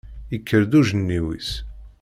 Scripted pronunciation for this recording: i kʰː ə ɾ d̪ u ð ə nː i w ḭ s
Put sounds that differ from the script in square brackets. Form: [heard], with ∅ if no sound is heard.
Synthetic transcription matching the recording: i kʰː ə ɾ d̪ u [ʒ] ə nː i w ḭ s